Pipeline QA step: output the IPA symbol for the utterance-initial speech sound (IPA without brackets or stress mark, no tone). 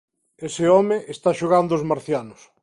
e